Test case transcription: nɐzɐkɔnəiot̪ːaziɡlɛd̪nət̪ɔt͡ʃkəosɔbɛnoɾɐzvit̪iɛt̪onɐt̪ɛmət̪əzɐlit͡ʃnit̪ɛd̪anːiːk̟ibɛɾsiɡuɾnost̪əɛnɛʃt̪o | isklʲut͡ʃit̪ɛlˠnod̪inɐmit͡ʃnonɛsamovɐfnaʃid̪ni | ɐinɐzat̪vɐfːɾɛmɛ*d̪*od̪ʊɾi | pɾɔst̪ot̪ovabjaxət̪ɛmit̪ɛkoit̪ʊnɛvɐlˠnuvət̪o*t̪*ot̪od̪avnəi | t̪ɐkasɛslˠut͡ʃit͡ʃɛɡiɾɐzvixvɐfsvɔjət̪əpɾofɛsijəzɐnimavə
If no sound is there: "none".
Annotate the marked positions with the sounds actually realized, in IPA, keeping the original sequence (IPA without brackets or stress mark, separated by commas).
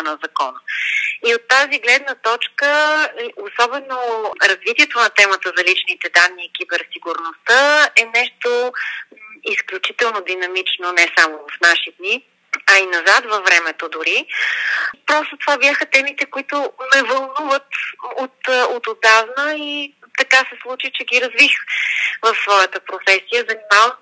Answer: t̪, t̪